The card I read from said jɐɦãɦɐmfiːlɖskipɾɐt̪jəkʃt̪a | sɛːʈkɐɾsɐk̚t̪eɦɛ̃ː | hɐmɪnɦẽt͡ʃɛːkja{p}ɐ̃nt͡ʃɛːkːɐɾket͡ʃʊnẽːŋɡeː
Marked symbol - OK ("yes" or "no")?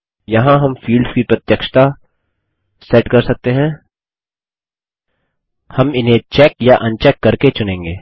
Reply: no